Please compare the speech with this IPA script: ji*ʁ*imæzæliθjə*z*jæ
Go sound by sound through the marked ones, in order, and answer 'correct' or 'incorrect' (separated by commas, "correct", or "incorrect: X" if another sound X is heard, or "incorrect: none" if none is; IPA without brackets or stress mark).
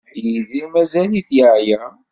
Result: incorrect: ð, incorrect: ʕ